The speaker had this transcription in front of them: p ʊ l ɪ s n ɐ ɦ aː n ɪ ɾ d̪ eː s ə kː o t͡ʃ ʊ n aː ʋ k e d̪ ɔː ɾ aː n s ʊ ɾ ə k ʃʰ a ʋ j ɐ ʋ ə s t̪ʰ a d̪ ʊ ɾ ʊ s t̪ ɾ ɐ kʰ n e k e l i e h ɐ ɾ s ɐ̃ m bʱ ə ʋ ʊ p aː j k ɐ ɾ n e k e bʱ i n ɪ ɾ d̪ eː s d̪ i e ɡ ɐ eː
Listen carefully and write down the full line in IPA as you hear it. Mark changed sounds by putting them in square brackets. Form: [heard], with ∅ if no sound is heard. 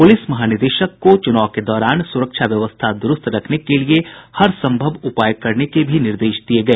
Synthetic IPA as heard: p ʊ l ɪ s [m] ɐ ɦ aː n ɪ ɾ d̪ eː [ʃ] ə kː o t͡ʃ ʊ n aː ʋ k e d̪ ɔː ɾ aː n s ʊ ɾ ə k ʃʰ a ʋ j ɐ ʋ ə s t̪ʰ a d̪ ʊ ɾ ʊ s t̪ ɾ ɐ kʰ n e k e l i e h ɐ ɾ s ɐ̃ m bʱ ə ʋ ʊ p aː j k ɐ ɾ n e k e bʱ i n ɪ ɾ d̪ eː [ʃ] d̪ i e ɡ ɐ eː